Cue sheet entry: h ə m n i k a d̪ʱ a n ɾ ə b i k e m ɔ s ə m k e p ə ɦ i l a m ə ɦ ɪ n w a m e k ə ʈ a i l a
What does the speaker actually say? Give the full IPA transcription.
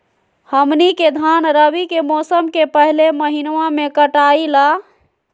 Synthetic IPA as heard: h ə m n i k e d̪ʱ a n ɾ ə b i k e m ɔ s ə m k e p ə ɦ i l e m ə ɦ i n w a m e k ə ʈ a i l a